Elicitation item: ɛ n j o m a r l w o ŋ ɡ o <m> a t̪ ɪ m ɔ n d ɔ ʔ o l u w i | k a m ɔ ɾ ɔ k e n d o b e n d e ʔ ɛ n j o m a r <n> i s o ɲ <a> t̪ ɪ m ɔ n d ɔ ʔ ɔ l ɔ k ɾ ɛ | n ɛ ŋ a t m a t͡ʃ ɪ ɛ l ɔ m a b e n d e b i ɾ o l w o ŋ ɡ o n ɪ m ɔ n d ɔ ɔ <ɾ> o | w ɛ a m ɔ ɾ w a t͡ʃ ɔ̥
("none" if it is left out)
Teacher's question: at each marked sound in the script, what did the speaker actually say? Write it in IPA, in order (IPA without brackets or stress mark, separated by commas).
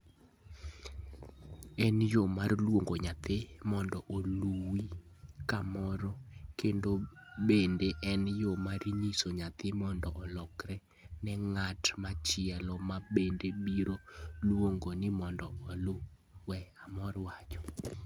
ɲ, ɲ, a, l